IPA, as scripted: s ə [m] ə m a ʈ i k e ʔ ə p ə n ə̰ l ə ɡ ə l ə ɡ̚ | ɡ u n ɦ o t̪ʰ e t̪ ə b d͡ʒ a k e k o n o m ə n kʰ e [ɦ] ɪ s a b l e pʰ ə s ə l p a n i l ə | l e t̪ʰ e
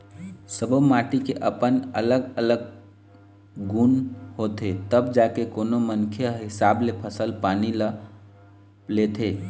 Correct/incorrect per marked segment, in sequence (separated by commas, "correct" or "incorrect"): incorrect, correct